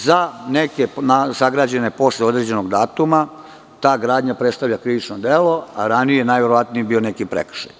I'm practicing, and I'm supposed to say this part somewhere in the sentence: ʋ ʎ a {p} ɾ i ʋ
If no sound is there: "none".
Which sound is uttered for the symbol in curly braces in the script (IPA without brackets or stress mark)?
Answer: k